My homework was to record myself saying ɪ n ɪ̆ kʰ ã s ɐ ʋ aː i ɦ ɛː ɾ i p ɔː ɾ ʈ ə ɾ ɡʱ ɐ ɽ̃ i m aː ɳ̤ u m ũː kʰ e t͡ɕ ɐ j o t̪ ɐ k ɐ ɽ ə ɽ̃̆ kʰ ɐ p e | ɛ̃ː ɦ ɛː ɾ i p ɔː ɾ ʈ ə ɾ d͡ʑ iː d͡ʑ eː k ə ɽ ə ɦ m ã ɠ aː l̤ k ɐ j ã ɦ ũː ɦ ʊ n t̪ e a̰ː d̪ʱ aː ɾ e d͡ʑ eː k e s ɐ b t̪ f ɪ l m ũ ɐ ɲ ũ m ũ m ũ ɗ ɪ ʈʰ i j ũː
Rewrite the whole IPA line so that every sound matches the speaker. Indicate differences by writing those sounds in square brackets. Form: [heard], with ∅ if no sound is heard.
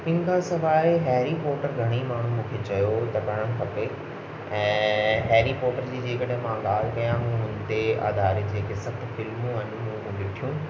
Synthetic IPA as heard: ɪ n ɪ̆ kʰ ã s ɐ ʋ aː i ɦ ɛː ɾ i p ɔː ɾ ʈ ə ɾ ɡʱ ɐ ɽ̃ i m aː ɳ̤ u m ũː kʰ e t͡ɕ ɐ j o t̪ ɐ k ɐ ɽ ə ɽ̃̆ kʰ ɐ p e | ɛ̃ː ɦ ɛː ɾ i p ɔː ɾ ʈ ə ɾ d͡ʑ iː d͡ʑ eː k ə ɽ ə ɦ m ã ɠ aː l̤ k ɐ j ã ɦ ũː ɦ ʊ n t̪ e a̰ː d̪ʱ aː ɾ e d͡ʑ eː k e s ɐ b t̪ f ɪ l m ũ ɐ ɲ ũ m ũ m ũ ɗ ɪ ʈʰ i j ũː